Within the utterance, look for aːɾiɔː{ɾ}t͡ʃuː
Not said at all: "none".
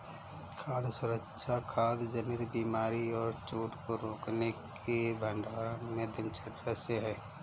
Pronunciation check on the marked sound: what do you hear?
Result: ɾ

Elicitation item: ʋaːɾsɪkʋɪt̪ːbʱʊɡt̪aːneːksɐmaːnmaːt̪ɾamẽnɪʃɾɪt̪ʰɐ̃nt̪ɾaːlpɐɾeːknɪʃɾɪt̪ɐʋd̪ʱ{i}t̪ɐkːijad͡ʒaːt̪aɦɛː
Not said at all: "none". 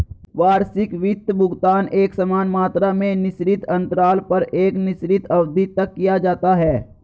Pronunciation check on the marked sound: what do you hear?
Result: i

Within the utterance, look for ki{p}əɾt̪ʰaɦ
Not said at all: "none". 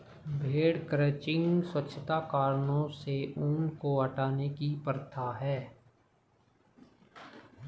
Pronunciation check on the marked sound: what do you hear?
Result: p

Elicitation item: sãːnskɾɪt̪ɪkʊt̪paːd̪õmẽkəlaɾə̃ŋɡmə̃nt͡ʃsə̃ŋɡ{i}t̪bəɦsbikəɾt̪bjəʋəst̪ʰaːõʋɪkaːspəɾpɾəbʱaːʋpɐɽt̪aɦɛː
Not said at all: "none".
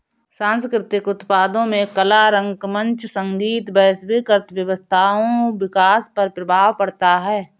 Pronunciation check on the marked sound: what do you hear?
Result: iː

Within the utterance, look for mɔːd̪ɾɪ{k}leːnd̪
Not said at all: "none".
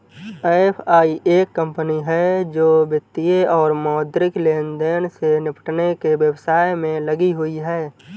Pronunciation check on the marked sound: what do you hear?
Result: k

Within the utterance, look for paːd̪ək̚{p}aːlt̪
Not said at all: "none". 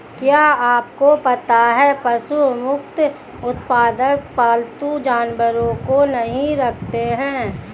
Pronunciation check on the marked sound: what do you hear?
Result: p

